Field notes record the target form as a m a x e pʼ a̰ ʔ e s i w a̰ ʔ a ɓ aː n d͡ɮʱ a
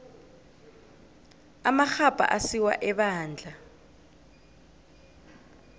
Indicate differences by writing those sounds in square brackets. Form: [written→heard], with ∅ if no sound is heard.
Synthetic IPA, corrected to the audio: a m a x [e→a] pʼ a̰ ʔ [e→a] s i w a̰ ʔ [a→ɛ] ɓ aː n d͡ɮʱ a